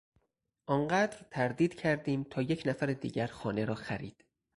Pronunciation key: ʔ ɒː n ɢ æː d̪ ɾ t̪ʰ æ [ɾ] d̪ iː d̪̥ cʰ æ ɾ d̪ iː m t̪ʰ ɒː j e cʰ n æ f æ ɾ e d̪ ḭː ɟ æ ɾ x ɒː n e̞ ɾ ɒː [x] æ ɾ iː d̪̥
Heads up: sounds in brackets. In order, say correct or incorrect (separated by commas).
correct, correct